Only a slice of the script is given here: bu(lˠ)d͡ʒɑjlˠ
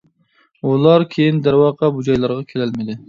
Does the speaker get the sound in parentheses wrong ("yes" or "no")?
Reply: yes